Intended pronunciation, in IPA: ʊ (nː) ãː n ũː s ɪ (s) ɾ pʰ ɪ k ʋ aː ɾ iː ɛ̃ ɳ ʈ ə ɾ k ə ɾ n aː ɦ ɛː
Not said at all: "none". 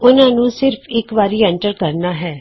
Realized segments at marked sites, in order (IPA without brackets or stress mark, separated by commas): n, none